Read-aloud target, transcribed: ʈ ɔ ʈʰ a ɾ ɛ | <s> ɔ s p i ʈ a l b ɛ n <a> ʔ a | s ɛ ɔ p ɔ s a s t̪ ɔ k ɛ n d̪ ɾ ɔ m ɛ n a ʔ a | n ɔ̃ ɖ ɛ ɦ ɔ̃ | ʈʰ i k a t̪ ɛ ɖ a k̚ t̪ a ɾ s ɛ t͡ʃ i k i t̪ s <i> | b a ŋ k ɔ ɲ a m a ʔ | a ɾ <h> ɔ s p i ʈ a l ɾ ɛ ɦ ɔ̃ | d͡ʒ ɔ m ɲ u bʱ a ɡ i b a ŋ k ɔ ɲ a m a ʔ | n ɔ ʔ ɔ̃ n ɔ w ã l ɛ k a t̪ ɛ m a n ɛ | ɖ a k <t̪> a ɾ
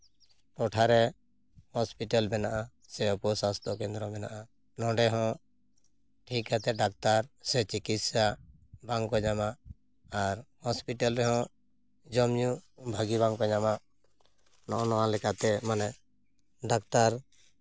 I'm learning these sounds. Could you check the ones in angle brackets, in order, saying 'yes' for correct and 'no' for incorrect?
no, yes, no, yes, yes

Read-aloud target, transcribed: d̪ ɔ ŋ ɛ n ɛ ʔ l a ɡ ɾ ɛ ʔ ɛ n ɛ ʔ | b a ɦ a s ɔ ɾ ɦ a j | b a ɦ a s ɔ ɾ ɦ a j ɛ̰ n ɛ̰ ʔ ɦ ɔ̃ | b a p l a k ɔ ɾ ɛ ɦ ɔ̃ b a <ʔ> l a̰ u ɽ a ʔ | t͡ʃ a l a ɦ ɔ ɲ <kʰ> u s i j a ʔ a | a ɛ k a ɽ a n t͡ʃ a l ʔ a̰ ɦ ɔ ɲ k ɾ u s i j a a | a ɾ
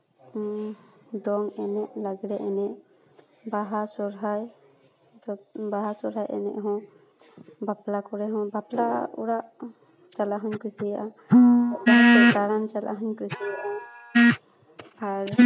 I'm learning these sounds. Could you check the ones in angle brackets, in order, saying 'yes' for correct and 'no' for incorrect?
no, no

